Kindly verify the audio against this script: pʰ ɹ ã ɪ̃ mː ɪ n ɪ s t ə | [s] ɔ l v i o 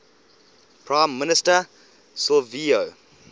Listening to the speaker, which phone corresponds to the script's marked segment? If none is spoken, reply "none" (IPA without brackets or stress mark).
s